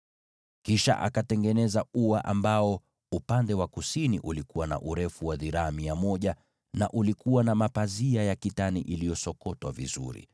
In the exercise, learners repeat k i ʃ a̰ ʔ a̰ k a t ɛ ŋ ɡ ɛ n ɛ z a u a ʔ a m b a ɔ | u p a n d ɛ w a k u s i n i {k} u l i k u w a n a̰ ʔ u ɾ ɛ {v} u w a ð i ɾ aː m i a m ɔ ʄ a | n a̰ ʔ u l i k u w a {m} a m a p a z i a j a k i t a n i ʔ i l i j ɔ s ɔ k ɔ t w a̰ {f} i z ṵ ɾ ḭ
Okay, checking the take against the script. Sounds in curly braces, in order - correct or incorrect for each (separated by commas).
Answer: incorrect, incorrect, incorrect, incorrect